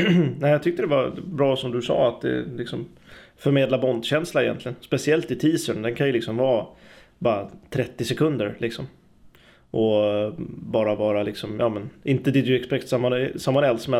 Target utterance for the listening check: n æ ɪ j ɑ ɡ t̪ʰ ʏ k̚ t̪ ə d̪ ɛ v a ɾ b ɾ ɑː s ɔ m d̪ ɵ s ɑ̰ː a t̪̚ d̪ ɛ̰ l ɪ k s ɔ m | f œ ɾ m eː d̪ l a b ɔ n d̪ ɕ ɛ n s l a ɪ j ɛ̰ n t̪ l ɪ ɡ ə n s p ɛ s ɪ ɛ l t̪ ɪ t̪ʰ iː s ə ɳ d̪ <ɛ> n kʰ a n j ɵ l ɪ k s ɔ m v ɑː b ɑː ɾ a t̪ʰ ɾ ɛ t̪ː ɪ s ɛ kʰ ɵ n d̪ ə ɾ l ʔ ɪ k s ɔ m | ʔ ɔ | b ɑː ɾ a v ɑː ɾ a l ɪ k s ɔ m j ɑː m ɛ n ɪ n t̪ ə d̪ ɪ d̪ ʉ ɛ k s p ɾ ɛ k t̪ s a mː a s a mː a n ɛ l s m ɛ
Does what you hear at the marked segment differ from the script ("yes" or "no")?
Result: no